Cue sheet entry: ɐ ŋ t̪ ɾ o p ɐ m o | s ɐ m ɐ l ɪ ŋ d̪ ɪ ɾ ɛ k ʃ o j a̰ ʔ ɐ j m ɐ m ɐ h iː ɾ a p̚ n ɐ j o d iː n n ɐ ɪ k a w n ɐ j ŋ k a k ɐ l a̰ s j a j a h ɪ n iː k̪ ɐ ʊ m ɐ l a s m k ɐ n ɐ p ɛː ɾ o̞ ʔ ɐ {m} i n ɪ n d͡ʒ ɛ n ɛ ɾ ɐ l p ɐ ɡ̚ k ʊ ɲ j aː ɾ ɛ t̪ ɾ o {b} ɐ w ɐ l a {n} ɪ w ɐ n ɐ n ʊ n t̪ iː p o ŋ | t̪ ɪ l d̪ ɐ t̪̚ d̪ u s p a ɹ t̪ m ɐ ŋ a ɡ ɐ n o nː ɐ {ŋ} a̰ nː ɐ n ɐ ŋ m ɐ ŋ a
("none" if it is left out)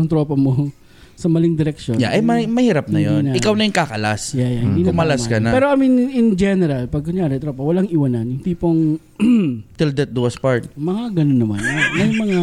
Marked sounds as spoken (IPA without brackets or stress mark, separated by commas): m, p, ŋ, m